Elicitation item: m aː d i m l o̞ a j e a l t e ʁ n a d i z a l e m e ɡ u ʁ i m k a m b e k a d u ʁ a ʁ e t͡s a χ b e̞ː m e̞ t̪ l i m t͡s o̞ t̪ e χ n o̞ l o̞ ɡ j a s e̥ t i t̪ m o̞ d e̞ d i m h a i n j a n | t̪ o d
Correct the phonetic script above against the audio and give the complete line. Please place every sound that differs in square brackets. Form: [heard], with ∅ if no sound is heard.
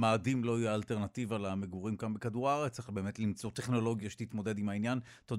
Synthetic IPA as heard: m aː d i m l o̞ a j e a l t e ʁ n a [t] i [v] a l [a] m e ɡ u ʁ i m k a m b e k a d u ʁ a ʁ e t͡s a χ b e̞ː m e̞ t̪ l i m t͡s o̞ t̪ e χ n o̞ l o̞ ɡ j a [ʃ] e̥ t i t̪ m o̞ d e̞ d i m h a i n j a n | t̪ o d